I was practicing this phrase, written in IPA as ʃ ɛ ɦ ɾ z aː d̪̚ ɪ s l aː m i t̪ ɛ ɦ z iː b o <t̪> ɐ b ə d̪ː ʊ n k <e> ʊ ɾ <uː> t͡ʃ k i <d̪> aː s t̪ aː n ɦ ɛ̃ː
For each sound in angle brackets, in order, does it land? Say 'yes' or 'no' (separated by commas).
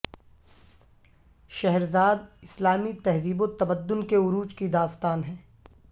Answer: yes, yes, yes, yes